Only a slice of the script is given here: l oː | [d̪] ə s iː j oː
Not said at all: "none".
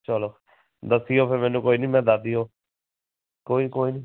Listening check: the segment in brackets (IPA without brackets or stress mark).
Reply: d̪